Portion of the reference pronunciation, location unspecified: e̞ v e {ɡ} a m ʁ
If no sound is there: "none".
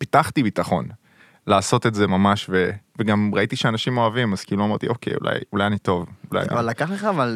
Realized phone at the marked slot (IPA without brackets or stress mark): ɡ